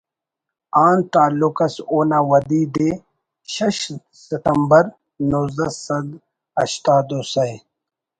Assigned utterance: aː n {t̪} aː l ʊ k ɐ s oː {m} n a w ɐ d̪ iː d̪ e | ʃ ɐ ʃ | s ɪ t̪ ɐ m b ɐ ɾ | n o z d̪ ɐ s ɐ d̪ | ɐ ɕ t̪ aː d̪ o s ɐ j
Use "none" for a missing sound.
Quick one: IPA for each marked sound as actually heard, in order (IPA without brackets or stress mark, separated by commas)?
t̪, none